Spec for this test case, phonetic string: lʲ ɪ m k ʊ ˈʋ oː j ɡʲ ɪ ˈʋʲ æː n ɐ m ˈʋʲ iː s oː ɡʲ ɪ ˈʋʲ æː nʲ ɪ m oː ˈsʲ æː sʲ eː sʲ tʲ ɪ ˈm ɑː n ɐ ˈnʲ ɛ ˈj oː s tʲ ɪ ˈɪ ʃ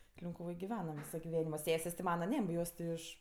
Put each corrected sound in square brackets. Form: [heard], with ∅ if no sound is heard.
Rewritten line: lʲ ɪ [ŋ] k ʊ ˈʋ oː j ɡʲ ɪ ˈʋʲ æː n ɐ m ˈʋʲ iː s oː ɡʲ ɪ ˈʋʲ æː nʲ ɪ m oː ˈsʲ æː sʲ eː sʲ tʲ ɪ ˈm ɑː n ɐ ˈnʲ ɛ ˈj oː s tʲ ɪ ˈɪ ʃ